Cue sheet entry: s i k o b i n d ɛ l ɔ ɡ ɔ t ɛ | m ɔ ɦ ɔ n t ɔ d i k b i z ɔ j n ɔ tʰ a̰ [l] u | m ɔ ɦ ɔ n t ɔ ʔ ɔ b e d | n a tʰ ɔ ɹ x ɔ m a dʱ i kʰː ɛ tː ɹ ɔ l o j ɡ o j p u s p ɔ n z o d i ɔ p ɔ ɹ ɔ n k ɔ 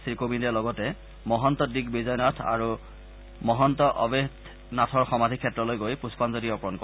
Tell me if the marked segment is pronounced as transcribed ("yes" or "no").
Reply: no